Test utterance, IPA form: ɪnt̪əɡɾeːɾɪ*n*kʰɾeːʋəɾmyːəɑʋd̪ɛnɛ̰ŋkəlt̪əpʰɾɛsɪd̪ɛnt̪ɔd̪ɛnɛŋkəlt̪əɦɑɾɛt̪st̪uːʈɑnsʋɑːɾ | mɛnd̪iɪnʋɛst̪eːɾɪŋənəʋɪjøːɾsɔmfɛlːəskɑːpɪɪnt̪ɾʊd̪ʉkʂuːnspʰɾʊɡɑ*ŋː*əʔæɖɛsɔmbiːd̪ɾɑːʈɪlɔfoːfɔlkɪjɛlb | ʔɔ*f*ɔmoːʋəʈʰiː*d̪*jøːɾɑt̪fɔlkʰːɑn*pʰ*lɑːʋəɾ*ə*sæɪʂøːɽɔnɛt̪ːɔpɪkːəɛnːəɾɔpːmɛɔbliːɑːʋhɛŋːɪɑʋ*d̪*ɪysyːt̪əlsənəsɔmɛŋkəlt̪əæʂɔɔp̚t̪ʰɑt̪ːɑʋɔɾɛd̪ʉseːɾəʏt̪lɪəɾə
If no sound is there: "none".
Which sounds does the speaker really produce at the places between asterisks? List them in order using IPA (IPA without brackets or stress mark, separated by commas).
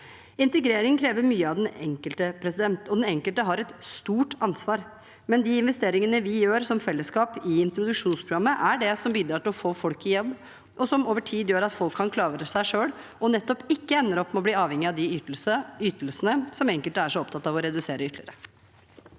ŋ, mː, s, d̪, kʰ, ə, d̪